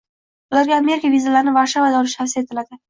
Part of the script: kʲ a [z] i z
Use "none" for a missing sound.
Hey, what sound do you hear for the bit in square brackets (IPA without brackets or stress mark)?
v